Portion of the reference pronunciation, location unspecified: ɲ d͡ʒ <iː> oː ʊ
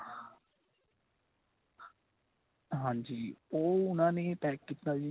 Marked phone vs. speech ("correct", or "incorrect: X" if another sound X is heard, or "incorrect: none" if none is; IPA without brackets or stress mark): correct